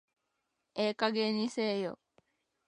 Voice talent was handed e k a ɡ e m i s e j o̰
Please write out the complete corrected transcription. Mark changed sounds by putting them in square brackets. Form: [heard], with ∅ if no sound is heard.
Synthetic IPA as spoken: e k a ɡ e [n] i s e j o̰